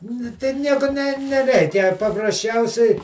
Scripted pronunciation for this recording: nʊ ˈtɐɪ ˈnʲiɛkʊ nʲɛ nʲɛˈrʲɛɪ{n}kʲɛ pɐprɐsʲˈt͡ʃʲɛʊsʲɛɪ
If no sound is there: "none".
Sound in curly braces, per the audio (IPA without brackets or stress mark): none